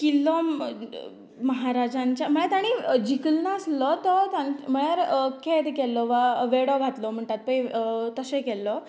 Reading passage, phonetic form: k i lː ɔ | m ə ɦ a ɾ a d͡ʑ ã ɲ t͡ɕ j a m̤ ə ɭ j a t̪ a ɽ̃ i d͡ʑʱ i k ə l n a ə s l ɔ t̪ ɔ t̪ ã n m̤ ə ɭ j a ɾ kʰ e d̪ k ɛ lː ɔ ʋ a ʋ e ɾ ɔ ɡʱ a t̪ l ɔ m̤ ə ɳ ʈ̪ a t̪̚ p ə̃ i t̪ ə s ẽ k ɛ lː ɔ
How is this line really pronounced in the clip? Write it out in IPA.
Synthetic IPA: k i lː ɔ | m ə ɦ a ɾ a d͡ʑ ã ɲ t͡ɕ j a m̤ ə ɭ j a t̪ a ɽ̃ i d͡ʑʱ i k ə l n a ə s l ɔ t̪ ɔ t̪ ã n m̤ ə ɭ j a ɾ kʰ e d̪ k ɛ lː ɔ ʋ a ʋ e ɽ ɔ ɡʱ a t̪ l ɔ m̤ ə ɳ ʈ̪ a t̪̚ p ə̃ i t̪ ə s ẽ k ɛ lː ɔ